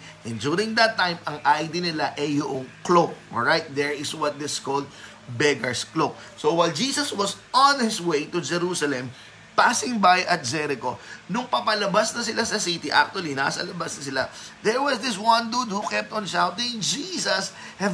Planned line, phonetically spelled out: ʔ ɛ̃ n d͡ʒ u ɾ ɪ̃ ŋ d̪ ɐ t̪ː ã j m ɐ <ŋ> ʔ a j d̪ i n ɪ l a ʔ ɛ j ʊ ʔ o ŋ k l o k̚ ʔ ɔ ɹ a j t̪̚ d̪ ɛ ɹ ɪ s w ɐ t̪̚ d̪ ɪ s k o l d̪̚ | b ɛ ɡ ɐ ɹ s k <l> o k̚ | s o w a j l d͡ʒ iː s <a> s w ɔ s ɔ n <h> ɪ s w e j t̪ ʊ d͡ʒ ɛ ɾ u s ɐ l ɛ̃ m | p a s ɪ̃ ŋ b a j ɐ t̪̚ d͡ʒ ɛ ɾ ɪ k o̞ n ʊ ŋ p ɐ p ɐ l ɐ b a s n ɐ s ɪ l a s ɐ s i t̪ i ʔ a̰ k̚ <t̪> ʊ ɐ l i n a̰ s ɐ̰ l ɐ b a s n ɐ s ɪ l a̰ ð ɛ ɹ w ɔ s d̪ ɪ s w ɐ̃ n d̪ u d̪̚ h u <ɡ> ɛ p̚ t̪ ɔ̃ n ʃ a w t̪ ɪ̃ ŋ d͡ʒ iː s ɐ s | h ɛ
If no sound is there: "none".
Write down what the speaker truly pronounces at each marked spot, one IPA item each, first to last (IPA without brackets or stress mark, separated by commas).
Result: ŋ, l, ɐ, h, t̪, k